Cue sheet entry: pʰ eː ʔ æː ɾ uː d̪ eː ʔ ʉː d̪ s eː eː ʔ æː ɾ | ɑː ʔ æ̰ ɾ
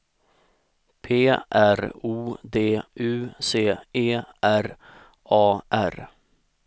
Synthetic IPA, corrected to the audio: pʰ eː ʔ æ ɾ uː d̪ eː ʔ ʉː s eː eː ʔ æ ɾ | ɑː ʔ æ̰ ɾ